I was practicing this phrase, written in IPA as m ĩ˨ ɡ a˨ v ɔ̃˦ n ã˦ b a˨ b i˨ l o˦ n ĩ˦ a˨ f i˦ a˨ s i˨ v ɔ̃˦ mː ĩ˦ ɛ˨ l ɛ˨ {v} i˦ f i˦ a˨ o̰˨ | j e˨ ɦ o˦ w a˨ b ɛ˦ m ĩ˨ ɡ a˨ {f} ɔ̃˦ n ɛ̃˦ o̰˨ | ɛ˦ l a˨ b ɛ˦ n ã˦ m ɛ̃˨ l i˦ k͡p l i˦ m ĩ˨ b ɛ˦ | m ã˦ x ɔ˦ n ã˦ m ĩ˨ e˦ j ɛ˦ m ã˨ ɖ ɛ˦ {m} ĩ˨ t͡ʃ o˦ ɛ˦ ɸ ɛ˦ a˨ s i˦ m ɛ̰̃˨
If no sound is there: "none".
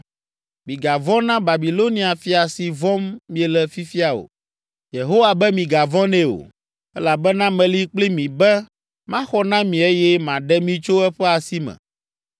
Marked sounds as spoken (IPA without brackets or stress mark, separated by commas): f, v, m